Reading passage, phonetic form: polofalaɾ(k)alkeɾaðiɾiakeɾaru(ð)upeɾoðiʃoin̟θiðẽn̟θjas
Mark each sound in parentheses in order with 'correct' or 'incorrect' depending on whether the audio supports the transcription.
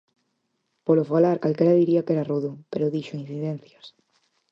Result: correct, correct

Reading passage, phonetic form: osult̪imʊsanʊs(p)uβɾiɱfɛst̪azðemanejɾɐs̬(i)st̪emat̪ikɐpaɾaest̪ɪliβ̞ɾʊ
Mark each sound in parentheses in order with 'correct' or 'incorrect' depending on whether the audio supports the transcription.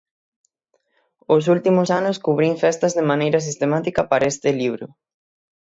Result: incorrect: k, correct

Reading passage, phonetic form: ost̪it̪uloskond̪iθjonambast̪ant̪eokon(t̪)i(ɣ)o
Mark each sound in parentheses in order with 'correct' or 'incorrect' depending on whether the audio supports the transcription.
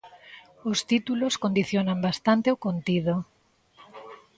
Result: correct, incorrect: ð

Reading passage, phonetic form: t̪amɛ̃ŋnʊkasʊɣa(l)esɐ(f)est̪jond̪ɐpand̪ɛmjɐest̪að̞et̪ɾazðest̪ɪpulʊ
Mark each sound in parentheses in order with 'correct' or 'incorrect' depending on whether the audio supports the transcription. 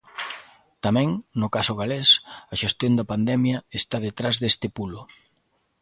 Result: correct, incorrect: ʃ

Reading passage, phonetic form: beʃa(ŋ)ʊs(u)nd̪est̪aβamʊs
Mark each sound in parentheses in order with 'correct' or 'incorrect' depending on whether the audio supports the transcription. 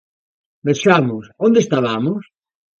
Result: incorrect: m, incorrect: o

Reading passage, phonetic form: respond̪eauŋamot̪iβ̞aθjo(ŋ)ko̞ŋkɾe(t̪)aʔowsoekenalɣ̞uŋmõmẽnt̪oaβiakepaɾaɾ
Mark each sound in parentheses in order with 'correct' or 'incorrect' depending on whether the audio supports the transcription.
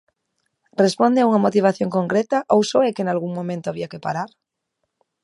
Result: correct, correct

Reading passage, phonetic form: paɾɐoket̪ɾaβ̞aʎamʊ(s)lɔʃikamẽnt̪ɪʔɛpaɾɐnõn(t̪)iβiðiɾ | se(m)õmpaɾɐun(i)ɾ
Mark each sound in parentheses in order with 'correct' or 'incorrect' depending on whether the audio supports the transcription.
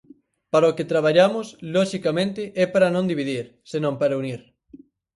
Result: correct, incorrect: d̪, incorrect: n, correct

